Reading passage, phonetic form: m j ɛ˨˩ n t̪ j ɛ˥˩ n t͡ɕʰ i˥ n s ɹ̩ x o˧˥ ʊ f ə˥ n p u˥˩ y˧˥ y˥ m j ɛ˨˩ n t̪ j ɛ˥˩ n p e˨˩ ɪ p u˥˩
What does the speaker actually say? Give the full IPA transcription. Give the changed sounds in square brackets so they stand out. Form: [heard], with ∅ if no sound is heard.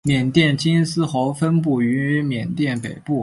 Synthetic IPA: m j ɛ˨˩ n t̪ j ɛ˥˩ n [t͡ɕ] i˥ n s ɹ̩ x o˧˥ ʊ f ə˥ n p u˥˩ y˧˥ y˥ m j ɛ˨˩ n t̪ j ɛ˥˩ n p e˨˩ ɪ p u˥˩